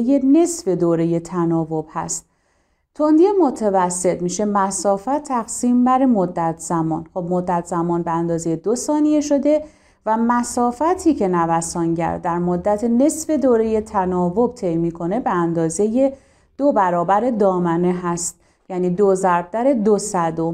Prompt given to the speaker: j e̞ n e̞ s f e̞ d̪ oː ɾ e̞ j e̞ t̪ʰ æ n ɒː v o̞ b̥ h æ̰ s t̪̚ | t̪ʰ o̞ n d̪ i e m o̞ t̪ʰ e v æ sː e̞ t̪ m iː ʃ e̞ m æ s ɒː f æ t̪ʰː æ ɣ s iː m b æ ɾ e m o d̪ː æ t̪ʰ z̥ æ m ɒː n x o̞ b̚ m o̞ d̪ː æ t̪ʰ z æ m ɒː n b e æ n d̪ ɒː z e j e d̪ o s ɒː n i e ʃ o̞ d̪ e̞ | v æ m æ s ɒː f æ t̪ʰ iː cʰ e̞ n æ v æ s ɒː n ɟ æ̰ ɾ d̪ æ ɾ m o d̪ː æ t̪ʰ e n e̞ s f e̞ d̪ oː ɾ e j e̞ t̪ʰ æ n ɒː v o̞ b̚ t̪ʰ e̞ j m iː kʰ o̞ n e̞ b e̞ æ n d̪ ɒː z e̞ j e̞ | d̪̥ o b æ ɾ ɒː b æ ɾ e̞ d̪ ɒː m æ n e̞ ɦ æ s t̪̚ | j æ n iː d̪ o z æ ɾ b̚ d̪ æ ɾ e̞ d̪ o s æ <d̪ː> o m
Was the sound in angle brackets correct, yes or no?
no